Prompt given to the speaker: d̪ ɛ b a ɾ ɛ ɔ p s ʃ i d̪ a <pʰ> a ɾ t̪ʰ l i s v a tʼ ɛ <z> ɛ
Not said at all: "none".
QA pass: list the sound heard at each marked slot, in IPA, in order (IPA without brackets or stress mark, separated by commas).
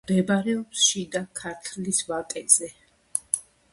kʰ, z